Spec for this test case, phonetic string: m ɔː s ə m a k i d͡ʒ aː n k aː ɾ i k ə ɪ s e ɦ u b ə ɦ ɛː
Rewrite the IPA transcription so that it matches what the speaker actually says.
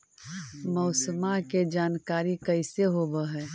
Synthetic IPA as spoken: m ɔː s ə m a k e d͡ʒ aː n k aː ɾ i k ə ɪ s e ɦ o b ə ɦ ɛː